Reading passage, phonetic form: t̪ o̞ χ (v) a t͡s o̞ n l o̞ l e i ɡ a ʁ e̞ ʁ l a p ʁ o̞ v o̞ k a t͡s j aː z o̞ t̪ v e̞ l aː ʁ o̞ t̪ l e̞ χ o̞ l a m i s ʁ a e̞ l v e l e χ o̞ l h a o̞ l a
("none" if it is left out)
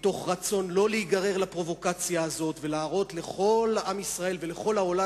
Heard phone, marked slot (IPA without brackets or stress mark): ʁ